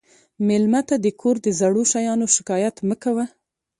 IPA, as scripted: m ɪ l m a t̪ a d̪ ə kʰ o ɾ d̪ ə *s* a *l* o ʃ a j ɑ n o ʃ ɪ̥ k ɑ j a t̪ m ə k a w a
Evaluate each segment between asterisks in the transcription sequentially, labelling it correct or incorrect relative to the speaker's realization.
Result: incorrect: z, incorrect: ɽ

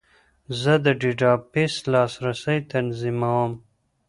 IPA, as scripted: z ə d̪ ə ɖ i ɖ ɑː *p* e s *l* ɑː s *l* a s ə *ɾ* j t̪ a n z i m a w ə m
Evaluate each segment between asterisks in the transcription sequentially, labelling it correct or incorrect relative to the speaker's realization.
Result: correct, correct, incorrect: ɾ, incorrect: none

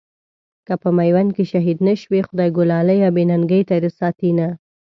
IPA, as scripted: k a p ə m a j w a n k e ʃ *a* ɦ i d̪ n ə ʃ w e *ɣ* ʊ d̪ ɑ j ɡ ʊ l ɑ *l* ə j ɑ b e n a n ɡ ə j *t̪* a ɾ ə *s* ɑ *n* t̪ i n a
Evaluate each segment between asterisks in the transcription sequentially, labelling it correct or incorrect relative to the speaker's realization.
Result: correct, incorrect: x, correct, correct, correct, incorrect: none

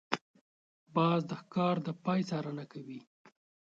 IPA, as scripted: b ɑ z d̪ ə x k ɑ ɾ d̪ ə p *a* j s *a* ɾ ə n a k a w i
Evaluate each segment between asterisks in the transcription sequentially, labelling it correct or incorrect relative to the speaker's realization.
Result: incorrect: ɑ, incorrect: ɑ

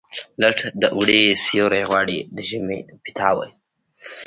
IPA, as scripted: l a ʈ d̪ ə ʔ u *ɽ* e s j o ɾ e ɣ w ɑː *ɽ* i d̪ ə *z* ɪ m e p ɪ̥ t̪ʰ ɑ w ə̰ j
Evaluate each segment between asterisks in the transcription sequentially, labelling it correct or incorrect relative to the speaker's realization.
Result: correct, correct, incorrect: ʒ

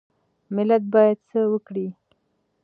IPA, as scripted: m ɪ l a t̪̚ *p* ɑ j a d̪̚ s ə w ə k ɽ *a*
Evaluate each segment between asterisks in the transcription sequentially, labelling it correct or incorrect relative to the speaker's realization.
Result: incorrect: b, incorrect: i

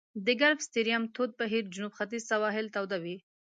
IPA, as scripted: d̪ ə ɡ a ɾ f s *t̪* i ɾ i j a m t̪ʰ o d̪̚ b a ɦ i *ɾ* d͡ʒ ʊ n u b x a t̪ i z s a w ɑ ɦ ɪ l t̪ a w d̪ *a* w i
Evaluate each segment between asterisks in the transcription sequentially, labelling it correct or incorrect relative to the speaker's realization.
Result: correct, correct, correct

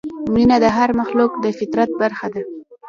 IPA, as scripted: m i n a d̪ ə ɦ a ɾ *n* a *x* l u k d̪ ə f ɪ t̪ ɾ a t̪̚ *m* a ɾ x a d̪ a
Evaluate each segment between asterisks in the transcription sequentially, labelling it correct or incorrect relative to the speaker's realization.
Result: incorrect: m, correct, incorrect: b

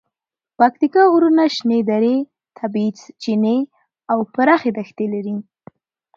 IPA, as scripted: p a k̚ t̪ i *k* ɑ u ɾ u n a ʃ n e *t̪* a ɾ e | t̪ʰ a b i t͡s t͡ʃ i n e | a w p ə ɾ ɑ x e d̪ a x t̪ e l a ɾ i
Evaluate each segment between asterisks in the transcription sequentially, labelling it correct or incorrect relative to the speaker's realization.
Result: correct, incorrect: d̪

